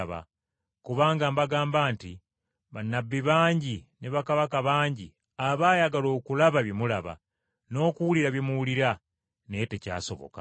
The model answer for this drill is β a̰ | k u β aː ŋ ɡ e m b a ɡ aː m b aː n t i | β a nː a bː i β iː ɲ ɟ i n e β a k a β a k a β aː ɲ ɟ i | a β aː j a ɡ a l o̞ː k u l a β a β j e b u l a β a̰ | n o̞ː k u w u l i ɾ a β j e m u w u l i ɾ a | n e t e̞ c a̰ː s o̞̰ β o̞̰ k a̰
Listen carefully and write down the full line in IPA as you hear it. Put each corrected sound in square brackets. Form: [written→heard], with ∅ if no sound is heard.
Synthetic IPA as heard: β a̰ | k u β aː ŋ ɡ [e→a] m b a ɡ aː m b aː n t i | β a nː a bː i β [iː→aː] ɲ ɟ i n e β a k a β a k a β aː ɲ ɟ i | a β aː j a ɡ a l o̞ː k u l a β a β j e [b→m] u l a β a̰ | n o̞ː k u w u l i ɾ a β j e m u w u l i ɾ a | n e t e̞ c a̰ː s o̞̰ β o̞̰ k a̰